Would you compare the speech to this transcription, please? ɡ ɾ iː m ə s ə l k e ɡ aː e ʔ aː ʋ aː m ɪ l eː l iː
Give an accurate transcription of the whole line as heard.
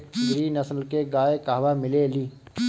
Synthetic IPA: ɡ ɾ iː n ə s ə l k e ɡ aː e k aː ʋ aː m ɪ l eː l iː

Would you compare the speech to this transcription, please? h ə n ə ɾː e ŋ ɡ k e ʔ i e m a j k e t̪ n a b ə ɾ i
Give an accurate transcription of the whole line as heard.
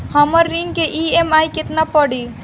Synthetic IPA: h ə m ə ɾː i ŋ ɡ k e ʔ i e m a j k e t̪ n a p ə ɽ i

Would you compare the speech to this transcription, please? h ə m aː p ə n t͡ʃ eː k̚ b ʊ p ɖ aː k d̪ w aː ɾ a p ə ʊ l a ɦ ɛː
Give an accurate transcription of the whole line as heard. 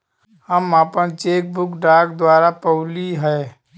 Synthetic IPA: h ə m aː p ə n t͡ʃ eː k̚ b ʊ k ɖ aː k d̪ w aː ɾ a p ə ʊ l i ɦ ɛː

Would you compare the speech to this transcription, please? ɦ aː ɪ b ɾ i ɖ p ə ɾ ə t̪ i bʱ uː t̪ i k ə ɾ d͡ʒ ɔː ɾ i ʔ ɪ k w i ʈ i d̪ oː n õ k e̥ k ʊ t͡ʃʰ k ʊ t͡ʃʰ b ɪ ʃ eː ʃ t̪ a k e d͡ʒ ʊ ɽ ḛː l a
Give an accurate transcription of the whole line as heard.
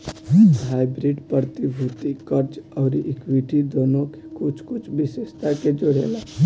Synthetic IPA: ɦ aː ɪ b ɾ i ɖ p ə ɾ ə t̪ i bʱ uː t̪ i k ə ɾ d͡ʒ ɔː ɾ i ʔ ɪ k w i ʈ i d̪ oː n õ k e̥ k ʊ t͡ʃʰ k ʊ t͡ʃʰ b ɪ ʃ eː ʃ t̪ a k e d͡ʒ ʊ ɽ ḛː l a

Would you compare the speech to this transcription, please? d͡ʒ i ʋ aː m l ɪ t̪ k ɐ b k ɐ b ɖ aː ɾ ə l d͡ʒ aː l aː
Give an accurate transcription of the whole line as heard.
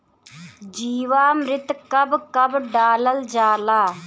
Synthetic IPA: d͡ʒ iː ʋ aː m ɾ ɪ t̪ k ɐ b k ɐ b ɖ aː l ə l d͡ʒ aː l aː

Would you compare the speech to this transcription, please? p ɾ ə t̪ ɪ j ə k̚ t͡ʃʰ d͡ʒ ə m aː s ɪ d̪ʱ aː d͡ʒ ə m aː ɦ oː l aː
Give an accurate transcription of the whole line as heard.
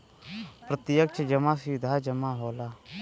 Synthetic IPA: p ɾ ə t̪ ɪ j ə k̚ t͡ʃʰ d͡ʒ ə m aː s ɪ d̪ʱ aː d͡ʒ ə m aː ɦ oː l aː

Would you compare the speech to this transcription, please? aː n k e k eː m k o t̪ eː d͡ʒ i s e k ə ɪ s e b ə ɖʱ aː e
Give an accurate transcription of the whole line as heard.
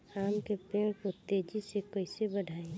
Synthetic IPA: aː m k e p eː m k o t̪ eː d͡ʒ i s e k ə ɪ s e b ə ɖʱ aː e

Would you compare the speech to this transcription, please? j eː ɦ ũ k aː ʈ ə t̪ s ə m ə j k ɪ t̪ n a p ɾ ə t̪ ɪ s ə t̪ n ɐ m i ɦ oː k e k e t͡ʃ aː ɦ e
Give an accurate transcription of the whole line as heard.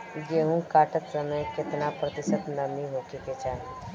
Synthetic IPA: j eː ɦ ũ k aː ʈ ə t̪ s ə m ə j k ɪ t̪ n a p ɾ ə t̪ ɪ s ə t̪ n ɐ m i ɦ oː k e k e t͡ʃ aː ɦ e

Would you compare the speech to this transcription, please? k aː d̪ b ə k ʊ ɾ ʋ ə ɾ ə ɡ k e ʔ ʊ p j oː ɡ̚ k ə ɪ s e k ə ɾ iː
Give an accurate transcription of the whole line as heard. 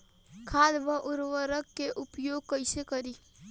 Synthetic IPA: kʰ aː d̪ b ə ʔ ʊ ɾ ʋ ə ɾ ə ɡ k e ʔ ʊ p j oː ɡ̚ k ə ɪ s e k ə ɾ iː

